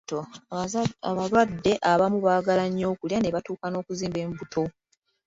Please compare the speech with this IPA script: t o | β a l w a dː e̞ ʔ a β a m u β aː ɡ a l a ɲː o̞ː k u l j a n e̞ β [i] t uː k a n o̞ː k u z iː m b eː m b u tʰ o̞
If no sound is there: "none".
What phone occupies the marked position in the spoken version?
a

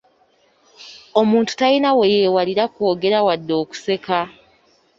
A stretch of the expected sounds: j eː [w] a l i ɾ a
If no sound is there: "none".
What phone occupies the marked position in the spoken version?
w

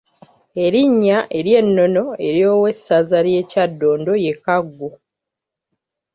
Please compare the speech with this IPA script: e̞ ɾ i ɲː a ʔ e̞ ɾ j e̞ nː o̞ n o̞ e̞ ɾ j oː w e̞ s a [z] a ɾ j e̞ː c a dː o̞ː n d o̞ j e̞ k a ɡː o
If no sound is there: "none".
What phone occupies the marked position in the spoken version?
z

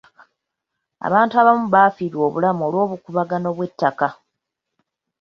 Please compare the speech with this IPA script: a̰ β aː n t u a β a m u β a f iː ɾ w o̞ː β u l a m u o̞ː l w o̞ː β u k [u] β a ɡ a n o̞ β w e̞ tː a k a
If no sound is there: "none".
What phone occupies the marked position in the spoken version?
u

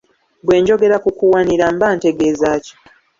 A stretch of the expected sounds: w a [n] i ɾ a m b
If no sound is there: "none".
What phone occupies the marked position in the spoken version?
n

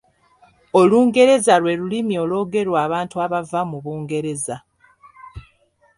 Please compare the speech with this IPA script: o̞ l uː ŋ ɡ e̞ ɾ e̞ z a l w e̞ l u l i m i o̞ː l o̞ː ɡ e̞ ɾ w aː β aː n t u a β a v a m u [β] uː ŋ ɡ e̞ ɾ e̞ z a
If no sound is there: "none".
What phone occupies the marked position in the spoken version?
β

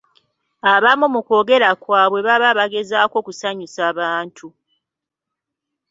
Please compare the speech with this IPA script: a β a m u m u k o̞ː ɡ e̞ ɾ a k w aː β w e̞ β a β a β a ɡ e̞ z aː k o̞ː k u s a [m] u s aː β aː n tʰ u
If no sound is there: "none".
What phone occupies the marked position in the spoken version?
ɲ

